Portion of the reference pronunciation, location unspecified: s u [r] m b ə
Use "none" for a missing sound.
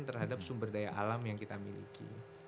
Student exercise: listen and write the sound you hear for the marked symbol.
none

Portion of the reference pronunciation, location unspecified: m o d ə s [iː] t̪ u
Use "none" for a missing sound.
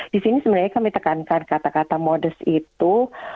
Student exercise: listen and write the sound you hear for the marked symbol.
i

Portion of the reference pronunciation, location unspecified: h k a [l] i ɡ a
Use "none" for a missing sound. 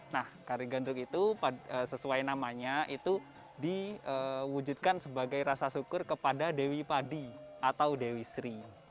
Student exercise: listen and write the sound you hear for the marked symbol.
ɾ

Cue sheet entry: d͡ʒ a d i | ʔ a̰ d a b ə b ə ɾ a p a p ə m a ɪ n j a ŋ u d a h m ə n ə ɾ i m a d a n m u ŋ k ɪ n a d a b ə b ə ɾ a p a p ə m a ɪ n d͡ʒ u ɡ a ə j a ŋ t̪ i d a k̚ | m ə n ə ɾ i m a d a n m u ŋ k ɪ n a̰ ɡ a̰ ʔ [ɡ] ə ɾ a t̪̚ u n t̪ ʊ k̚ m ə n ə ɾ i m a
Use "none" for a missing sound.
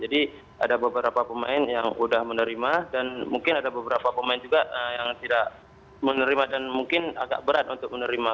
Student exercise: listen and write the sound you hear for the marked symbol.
b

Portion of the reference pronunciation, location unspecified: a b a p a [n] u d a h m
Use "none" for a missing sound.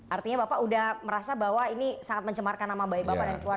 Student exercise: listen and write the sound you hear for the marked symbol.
none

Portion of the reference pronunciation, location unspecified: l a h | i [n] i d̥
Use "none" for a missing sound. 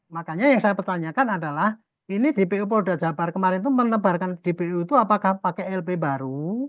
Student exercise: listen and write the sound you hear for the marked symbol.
n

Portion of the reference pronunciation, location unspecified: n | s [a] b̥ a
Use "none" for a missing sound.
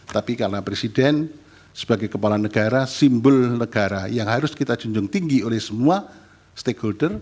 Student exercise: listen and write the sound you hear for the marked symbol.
ə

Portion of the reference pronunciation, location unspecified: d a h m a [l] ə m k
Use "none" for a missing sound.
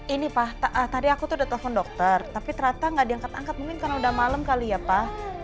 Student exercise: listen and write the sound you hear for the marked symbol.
l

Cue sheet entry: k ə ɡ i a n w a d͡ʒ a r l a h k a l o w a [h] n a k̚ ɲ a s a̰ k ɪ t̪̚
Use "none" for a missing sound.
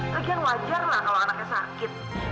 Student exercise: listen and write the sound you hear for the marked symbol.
none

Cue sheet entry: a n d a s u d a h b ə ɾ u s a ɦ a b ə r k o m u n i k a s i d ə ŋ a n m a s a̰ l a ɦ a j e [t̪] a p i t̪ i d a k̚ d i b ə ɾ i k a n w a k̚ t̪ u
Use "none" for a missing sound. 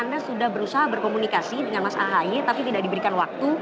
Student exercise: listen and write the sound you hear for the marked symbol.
t̪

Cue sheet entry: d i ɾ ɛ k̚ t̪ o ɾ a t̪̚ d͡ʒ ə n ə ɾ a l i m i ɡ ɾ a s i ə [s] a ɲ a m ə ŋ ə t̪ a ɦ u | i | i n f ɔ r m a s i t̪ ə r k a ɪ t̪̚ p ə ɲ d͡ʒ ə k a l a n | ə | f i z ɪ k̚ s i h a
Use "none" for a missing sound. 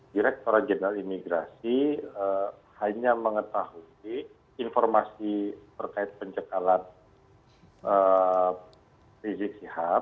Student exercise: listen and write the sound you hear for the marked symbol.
h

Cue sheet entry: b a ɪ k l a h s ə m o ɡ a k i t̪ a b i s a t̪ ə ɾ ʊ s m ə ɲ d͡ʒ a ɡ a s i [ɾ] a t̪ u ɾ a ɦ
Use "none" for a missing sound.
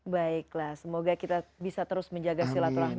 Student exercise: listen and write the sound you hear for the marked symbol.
l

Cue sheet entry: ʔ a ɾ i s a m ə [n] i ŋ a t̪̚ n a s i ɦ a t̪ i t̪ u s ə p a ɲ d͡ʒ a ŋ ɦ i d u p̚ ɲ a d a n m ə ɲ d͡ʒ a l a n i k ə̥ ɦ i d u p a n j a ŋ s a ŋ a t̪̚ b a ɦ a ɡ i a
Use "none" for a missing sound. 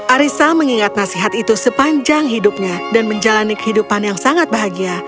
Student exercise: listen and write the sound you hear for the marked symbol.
ŋ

